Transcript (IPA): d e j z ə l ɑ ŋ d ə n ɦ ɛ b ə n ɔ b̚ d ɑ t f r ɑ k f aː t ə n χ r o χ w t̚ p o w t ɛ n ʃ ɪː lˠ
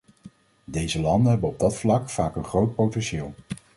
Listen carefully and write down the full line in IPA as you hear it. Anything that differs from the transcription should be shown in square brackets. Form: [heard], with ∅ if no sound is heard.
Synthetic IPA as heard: d e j z ə l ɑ [n] d ə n ɦ ɛ b ə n ɔ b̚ d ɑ t f [l] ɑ k f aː [k] ə n χ r o [∅] w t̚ p o w t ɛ n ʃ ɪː lˠ